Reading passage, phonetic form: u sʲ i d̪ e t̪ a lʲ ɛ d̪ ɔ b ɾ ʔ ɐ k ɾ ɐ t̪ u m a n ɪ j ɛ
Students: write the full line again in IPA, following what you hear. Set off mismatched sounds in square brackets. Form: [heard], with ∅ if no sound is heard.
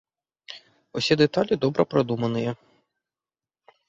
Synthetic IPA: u sʲ i d̪ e t̪ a lʲ [i] d̪ ɔ b ɾ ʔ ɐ [p] ɾ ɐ [d̪] u m [ɐ] n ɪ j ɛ